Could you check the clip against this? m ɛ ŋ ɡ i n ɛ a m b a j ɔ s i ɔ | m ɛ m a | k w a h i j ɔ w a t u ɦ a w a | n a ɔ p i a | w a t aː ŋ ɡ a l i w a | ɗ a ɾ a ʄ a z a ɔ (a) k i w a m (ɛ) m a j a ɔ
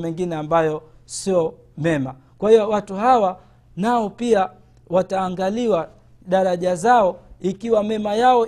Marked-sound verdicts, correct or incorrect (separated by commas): incorrect, correct